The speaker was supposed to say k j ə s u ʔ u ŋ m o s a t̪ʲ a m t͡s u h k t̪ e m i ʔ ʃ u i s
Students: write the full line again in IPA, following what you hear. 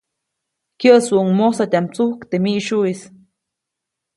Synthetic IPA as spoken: k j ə s u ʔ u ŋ m o s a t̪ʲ a m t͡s u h k t̪ e m i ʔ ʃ u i s